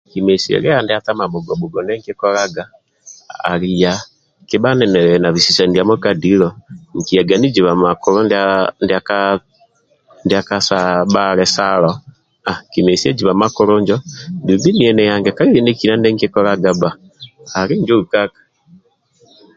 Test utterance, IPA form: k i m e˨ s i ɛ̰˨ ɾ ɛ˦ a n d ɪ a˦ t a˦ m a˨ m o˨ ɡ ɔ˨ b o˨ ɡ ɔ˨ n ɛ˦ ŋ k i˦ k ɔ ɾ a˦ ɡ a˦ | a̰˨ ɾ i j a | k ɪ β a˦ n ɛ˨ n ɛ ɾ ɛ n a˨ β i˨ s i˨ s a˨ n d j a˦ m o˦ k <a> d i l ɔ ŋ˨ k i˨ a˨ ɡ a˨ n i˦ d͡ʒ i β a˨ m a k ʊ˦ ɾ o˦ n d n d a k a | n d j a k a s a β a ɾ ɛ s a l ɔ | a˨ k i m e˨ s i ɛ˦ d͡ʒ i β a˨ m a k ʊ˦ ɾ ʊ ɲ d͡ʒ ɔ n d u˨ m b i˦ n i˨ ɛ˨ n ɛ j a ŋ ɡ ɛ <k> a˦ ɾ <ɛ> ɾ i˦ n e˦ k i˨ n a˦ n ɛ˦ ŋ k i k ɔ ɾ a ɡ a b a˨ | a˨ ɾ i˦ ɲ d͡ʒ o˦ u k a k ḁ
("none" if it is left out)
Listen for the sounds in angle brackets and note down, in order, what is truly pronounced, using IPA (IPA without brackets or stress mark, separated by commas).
a, k, i